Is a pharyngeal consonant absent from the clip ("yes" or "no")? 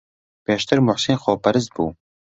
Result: no